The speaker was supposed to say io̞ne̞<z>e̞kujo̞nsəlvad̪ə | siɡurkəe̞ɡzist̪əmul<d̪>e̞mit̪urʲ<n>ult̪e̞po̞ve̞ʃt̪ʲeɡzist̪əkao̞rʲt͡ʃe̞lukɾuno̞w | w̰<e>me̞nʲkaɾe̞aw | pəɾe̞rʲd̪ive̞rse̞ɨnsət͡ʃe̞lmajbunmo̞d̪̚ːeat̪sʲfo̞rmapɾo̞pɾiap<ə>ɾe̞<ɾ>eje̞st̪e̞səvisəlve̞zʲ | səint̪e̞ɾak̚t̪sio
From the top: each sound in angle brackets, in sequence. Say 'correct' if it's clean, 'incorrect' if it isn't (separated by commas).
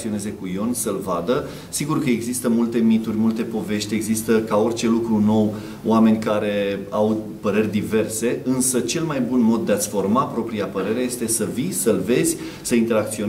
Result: correct, incorrect, incorrect, incorrect, correct, correct